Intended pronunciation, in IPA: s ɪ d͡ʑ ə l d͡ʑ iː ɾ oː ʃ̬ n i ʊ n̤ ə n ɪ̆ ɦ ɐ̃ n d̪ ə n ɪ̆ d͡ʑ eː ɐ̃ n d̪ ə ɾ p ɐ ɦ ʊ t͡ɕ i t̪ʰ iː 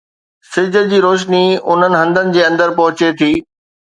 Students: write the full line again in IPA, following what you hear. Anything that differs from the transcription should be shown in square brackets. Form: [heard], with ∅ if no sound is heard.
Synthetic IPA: s ɪ d͡ʑ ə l d͡ʑ iː ɾ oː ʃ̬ n i ʊ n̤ ə n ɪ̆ ɦ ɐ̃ n d̪ ə n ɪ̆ d͡ʑ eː ɐ̃ n d̪ ə ɾ p ɐ ɦ ʊ t͡ɕ [e] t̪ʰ iː